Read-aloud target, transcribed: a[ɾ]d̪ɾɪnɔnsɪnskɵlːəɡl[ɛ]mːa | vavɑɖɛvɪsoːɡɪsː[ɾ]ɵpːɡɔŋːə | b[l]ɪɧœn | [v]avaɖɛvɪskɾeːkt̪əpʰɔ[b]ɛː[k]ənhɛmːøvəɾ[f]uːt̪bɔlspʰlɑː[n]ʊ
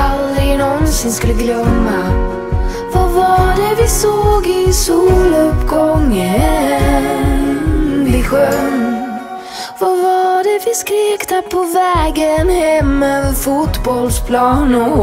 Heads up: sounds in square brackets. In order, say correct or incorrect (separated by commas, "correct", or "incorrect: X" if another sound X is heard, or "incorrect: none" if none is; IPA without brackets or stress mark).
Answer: incorrect: l, incorrect: œ, incorrect: l, correct, correct, incorrect: v, incorrect: ɡ, correct, correct